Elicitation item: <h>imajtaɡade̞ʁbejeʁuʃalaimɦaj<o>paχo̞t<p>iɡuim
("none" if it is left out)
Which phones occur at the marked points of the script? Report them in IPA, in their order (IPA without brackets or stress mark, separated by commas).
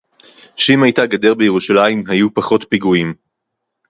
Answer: ʃ, u, p